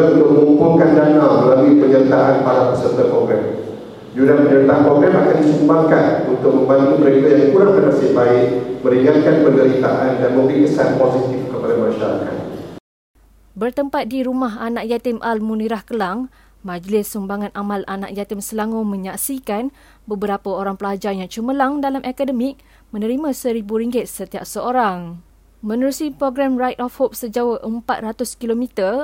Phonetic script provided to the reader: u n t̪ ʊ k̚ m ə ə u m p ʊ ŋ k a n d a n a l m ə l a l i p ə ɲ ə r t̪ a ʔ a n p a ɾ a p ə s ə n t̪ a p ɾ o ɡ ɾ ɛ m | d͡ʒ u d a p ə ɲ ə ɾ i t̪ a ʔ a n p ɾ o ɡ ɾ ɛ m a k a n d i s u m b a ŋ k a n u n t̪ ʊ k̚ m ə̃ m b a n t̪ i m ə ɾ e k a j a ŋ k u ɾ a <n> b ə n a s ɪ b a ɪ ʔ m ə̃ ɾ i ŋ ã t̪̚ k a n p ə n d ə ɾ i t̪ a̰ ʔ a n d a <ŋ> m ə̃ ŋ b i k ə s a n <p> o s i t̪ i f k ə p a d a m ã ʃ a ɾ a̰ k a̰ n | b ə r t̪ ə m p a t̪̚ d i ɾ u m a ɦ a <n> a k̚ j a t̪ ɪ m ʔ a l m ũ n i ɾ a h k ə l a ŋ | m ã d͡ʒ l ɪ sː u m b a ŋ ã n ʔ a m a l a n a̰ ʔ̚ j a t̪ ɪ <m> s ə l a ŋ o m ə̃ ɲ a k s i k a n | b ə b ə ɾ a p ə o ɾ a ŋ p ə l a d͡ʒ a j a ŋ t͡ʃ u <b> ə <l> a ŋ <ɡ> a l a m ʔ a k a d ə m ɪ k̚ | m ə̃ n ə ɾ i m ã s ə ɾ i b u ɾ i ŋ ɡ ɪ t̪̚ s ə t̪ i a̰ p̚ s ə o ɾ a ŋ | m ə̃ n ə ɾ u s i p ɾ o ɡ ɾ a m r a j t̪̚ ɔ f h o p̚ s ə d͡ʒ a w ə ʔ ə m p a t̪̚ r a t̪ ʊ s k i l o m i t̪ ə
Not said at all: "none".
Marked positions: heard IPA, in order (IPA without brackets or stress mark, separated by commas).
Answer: ŋ, n, p, n, m, m, l, d